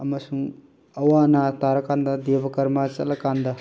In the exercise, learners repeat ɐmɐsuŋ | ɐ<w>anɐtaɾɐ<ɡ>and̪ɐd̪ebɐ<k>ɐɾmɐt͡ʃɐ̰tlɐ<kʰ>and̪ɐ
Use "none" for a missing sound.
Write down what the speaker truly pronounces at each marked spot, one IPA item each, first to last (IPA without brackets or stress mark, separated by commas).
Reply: w, k, k, k